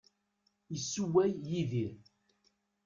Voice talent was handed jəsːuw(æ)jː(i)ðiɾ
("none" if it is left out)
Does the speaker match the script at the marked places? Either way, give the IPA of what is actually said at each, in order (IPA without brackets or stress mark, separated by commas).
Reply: æ, i